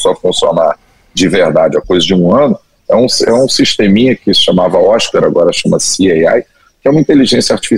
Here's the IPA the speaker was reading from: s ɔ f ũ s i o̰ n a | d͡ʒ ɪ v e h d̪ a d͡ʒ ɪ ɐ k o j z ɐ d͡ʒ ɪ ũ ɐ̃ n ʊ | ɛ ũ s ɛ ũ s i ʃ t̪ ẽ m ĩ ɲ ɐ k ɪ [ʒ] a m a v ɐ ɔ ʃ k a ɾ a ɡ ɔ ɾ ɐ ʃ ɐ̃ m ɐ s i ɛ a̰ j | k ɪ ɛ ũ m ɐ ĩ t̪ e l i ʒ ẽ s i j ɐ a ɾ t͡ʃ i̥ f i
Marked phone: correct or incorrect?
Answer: incorrect